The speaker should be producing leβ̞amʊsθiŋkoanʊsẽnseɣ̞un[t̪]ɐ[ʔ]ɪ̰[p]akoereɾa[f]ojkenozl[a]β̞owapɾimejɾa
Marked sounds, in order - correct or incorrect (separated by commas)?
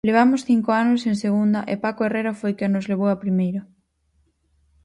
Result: incorrect, correct, correct, correct, incorrect